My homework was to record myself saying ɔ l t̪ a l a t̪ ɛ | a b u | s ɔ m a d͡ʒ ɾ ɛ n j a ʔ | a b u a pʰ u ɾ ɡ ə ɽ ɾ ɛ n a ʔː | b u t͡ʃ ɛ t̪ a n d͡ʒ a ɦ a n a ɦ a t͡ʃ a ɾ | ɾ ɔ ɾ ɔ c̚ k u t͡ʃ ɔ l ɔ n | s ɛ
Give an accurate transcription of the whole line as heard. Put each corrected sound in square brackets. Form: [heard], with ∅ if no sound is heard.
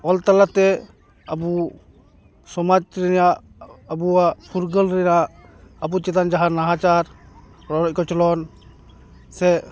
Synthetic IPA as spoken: ɔ l t̪ a l a t̪ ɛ | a b u | s ɔ m a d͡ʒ ɾ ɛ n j a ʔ | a b u a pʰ u ɾ ɡ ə [l] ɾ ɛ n a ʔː | b u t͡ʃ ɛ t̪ a n d͡ʒ a ɦ a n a ɦ a t͡ʃ a ɾ | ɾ ɔ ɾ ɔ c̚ k [ɔ] t͡ʃ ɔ l ɔ n | s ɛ

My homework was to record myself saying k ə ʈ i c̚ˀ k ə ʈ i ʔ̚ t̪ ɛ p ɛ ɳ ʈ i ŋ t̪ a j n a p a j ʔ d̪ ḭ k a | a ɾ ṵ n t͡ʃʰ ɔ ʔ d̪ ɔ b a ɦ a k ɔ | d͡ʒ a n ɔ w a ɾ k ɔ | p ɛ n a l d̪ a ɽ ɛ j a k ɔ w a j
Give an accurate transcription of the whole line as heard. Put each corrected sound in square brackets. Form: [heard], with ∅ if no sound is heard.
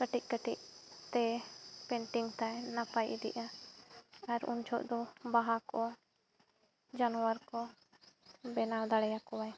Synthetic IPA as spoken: k ə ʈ i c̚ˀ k ə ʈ i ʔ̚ t̪ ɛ p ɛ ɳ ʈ i ŋ t̪ a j n a p a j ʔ d̪ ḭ [ʔ] a | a ɾ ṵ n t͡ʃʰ ɔ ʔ d̪ ɔ b a ɦ a k ɔ | d͡ʒ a n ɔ w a ɾ k ɔ | [b] ɛ n a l d̪ a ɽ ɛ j a k ɔ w a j

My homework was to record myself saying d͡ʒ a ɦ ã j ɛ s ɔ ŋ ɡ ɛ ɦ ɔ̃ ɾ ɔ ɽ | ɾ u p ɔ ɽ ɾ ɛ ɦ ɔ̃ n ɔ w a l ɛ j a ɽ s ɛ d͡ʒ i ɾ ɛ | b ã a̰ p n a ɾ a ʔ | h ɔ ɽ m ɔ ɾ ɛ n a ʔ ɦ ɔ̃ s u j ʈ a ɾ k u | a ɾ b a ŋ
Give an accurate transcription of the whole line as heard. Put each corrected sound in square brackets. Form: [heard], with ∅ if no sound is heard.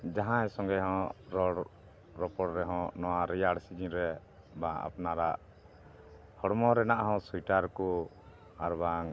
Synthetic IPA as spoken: d͡ʒ a ɦ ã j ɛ s ɔ ŋ ɡ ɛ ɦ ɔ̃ ɾ ɔ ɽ | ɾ [ɔ] p ɔ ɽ ɾ ɛ ɦ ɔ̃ n ɔ w a [ɾ] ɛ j a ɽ s [i] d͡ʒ i ɾ ɛ | b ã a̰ p n a ɾ a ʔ | h ɔ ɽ m ɔ ɾ ɛ n a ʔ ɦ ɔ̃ s u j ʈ a ɾ k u | a ɾ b a ŋ

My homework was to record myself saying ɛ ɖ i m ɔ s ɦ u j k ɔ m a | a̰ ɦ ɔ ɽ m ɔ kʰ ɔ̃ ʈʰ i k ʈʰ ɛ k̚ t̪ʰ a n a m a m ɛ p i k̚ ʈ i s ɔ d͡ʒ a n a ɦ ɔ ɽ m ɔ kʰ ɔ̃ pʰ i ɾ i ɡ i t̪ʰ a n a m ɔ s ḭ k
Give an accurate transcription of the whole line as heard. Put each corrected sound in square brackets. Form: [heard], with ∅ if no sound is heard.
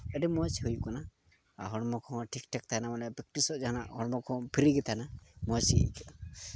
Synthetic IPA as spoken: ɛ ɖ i m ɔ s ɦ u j k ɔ [n] a | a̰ ɦ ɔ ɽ m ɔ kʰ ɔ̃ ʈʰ i k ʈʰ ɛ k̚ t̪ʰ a n a m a [n] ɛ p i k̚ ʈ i s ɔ d͡ʒ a n a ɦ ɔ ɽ m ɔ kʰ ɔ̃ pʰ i ɾ i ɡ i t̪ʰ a n a m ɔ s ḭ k

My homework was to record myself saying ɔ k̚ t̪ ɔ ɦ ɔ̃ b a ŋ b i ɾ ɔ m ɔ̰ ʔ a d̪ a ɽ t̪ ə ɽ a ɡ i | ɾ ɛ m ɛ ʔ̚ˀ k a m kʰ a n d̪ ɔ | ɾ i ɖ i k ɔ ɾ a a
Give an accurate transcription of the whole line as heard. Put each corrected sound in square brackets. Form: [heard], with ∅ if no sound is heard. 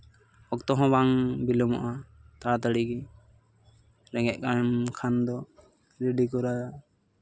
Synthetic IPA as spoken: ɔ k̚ t̪ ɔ ɦ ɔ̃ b a ŋ b i [l] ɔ m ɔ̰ ʔ a [t̪] a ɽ t̪ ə ɽ [i] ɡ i | ɾ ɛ [ŋ] ɛ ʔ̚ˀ k a m kʰ a n d̪ ɔ | ɾ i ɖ i k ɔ ɾ a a

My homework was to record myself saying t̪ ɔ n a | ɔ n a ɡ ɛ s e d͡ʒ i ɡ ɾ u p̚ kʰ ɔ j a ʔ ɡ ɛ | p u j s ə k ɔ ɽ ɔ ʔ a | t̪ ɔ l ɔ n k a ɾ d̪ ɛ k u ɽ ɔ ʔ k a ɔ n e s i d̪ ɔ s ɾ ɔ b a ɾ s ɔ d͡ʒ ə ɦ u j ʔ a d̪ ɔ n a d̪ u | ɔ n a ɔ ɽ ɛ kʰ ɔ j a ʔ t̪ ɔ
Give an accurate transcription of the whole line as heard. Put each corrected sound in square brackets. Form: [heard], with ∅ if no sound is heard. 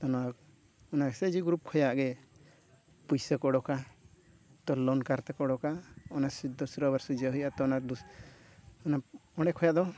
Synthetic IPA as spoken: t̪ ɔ n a | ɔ n a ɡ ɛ s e d͡ʒ i ɡ ɾ u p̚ kʰ ɔ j a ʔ ɡ ɛ | p u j s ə k ɔ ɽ ɔ [k] a | t̪ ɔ l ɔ n k a ɾ [t̪] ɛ k [ɔ] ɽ ɔ [∅] k a ɔ n [a] s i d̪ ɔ s ɾ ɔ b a ɾ s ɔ d͡ʒ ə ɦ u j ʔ a [t̪] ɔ n a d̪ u | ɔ n a ɔ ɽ ɛ kʰ ɔ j a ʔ [d̪] ɔ

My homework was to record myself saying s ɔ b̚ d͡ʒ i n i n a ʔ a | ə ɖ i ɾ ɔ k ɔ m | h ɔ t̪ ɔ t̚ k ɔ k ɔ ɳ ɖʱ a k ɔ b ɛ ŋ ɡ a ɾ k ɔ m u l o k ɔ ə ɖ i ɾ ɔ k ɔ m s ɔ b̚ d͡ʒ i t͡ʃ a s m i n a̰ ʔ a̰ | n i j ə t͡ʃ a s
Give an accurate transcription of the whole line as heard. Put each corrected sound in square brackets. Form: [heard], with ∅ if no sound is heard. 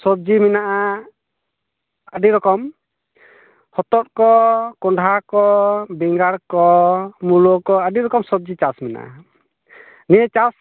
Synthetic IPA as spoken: s ɔ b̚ d͡ʒ i [m] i n a ʔ a | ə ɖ i ɾ ɔ k ɔ m | h ɔ t̪ ɔ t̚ k ɔ k ɔ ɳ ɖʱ a k ɔ b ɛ ŋ ɡ a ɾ k ɔ m u l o k ɔ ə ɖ i ɾ ɔ k ɔ m s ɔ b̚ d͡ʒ i t͡ʃ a s m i n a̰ ʔ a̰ | n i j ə t͡ʃ a s

